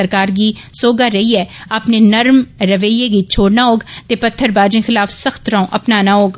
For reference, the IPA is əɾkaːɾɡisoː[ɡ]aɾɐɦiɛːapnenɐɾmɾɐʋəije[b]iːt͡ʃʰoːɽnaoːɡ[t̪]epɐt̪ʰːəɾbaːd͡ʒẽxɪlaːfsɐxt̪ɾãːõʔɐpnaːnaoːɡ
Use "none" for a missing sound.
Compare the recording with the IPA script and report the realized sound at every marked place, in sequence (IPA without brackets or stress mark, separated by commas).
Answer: ɡ, ɡ, t̪